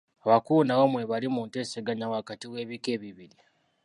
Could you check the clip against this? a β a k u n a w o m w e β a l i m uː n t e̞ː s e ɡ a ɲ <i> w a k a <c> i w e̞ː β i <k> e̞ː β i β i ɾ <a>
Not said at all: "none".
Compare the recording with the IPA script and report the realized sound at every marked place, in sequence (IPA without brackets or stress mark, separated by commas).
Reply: a, t, k, i